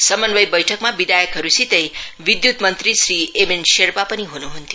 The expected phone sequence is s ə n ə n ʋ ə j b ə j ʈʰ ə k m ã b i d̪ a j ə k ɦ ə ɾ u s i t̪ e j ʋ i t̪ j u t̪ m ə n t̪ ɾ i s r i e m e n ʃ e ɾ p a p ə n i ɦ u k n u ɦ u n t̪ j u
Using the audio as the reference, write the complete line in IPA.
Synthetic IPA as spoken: s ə m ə n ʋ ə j b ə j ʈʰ ə k m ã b i d̪ a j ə k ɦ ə ɾ u s i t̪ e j ʋ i d̪ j u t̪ m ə n t̪ ɾ i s ɾ i e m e n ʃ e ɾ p a p ə n i ɦ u n u ɦ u n t̪ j u

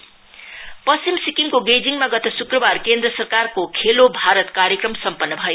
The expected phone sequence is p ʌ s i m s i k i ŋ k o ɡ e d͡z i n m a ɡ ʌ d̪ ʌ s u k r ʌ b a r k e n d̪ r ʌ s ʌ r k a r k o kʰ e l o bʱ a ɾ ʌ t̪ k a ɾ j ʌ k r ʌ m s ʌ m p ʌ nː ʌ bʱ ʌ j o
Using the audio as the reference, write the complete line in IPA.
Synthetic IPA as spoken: p ʌ s i m s i k i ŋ k o ɡ e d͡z i ŋ m a ɡ ʌ t̪ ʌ s u k r ʌ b a r k e n d̪ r ʌ s ʌ r k a r k o kʰ e l o bʱ a ɾ ʌ t̪ k a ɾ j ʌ k r ʌ m s ʌ m p ʌ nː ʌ bʱ ʌ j o

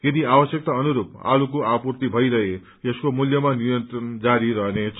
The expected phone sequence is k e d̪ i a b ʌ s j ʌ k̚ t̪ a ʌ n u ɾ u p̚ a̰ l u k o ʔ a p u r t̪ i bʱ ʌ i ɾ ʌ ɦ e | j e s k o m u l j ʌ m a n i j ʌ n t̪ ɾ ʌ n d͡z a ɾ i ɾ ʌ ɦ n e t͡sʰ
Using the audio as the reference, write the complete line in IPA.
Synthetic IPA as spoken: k e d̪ i a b ʌ s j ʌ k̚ t̪ a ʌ n u ɾ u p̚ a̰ l u k o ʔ a p u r t̪ i bʱ ʌ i ɾ ʌ ɦ e | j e s k o m u l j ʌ m a n i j ʌ n t̪ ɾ ʌ n d͡z a ɾ i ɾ ʌ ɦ n e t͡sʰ

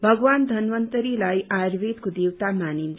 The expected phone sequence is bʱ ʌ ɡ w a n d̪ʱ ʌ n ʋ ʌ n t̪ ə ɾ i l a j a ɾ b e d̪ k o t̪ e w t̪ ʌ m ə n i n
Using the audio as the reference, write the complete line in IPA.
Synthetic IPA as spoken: bʱ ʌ ɡ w a n d̪ʱ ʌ n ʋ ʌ n t̪ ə ɾ i l a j a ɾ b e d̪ k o d̪ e w t̪ a m a n i n

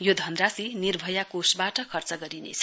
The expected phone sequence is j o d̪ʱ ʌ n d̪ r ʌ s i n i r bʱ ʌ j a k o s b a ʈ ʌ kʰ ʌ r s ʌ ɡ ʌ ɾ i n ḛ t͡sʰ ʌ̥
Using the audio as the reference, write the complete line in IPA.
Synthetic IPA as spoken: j o d̪ʱ ʌ n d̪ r a s i n i r bʱ ʌ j a k o s b a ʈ ʌ kʰ ʌ r t͡s ʌ ɡ ʌ ɾ i n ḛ t͡sʰ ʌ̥

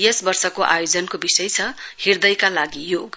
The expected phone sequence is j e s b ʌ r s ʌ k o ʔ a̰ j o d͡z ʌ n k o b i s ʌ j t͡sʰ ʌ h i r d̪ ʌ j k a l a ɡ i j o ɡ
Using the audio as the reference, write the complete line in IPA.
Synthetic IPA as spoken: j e s b ʌ r s ʌ k o ʔ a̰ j o d͡z ʌ n k o b i s ʌ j t͡sʰ ʌ h i r d̪ ʌ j k a l a ɡ i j o ɡ

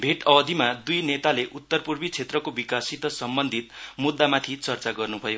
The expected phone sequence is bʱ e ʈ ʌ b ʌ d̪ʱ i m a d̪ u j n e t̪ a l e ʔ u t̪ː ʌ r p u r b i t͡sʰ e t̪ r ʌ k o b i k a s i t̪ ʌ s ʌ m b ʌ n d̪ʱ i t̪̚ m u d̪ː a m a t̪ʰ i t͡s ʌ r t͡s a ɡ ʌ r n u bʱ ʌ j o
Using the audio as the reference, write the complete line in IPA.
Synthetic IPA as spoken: bʱ e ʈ ʌ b ʌ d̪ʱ i m a d̪ u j n e t̪ a l e ʔ u t̪ː ʌ r p u r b i t͡sʰ e t̪ r ʌ k o b i k a s i t̪ ʌ s ʌ m b ʌ n d̪ʱ i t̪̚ m u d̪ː a m a t̪ʰ i t͡s ʌ r t͡s a ɡ ʌ r n u bʱ ʌ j o

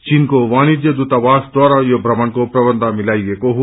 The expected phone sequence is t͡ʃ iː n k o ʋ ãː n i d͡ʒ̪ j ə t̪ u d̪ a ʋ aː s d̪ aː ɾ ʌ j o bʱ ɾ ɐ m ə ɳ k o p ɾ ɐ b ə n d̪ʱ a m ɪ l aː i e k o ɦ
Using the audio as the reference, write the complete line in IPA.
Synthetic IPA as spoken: t͡ʃ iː n k o ʋ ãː n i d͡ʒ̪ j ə d̪ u t̪ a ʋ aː s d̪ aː ɾ a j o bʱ ɾ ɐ m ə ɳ k o p ɾ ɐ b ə n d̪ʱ a m ɪ l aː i e k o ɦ

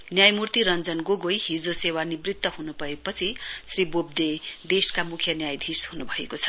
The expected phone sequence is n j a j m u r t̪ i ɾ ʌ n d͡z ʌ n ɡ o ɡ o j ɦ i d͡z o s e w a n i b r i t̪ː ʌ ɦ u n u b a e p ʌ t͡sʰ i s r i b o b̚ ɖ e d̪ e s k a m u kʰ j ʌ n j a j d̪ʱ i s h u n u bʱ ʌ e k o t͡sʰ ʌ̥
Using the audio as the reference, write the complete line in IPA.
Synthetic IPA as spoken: n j a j m u r t̪ i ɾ ʌ n d͡z ʌ n ɡ o ɡ o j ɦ i d͡z o s e w a n i b r i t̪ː ʌ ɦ u n u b ʌ e p ʌ t͡sʰ i s r i b o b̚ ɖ e d̪ e s k a m u kʰ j ʌ n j a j d̪ʱ i s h u n u bʱ ʌ e k o t͡sʰ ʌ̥

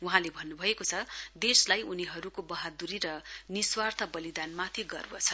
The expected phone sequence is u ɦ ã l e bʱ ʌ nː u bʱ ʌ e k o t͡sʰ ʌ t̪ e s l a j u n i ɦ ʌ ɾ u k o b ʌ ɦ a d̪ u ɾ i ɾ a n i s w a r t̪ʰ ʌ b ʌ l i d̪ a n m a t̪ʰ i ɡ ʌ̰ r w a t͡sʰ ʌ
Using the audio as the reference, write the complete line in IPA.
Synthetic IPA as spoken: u ɦ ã l e bʱ ʌ nː u bʱ ʌ e k o t͡sʰ ʌ d̪ e s l a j u n i ɦ ʌ ɾ u k o b ʌ ɦ a d̪ u ɾ i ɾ ʌ n i s w a r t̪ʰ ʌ b ʌ l i d̪ a n m a t̪ʰ i ɡ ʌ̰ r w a t͡sʰ ʌ

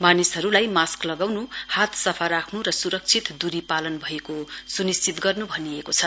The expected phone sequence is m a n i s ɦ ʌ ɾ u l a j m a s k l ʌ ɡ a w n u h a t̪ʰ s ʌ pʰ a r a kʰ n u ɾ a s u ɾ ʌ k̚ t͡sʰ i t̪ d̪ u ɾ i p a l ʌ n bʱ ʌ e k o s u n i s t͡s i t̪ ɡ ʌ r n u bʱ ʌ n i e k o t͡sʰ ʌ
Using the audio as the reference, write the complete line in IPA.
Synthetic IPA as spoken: m a n i s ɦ ʌ ɾ u l a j m a s k l ʌ ɡ a w n u h a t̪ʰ s ʌ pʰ a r a kʰ n u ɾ ʌ s u ɾ ʌ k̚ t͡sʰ i t̪ d̪ u ɾ i p a l ʌ n bʱ ʌ e k o s u n i s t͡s i t̪ ɡ ʌ r n u bʱ ʌ n i e k o t͡sʰ ʌ

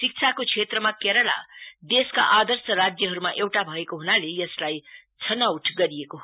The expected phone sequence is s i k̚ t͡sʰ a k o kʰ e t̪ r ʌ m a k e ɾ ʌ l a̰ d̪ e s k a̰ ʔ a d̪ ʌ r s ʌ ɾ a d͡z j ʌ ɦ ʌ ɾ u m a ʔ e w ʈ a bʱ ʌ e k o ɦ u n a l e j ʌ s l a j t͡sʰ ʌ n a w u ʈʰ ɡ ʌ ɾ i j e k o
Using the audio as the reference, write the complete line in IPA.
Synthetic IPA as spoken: s i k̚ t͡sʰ a k o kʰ e t̪ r ʌ m a k e ɾ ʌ l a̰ d̪ e s k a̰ ʔ a d̪ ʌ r s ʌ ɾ a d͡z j ʌ ɦ ʌ ɾ u m a ʔ e w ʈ a bʱ ʌ e k o ɦ u n a l e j ʌ s l a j t͡sʰ ʌ n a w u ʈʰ ɡ ʌ ɾ i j e k o

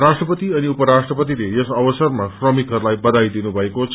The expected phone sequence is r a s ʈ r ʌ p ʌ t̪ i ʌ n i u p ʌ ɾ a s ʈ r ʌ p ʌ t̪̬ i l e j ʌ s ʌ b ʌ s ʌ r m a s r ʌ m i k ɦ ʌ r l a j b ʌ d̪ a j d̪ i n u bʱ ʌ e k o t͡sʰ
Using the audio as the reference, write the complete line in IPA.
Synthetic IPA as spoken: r a s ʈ r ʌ p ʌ t̪ i ʌ n i u p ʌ ɾ a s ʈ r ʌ p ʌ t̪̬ i l e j ʌ s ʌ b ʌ s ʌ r m a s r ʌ m i k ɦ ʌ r l a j b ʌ d̪ a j d̪ i n u bʱ ʌ e k o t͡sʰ

